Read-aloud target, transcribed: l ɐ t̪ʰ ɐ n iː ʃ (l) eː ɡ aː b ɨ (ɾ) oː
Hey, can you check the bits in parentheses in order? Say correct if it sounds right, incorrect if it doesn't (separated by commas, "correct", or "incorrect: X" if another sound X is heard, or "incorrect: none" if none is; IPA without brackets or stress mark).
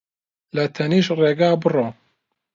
incorrect: r, incorrect: r